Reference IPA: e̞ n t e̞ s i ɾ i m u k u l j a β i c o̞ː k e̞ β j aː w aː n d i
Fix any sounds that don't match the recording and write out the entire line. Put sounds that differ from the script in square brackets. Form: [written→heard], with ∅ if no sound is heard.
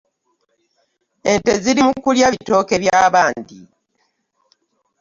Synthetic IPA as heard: e̞ n t e̞ [s→z] i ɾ i m u k u l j a β i [c→t] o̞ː k e̞ β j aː [w→β] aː n d i